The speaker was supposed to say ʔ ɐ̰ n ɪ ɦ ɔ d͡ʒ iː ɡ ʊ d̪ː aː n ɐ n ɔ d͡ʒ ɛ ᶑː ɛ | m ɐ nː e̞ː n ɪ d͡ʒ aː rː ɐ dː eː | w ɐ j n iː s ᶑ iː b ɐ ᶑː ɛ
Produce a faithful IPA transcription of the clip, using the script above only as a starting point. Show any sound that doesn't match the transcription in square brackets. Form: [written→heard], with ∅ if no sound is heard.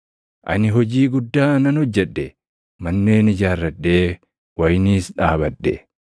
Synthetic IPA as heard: ʔ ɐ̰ n ɪ ɦ ɔ d͡ʒ iː ɡ ʊ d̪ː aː n ɐ n ɔ [d͡ʒ→d͡ʒː] ɛ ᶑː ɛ | m ɐ nː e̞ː n ɪ d͡ʒ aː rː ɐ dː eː | w ɐ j n iː s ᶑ [iː→aː] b ɐ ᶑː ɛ